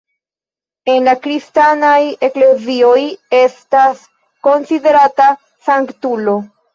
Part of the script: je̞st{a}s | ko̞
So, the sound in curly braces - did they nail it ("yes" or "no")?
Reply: yes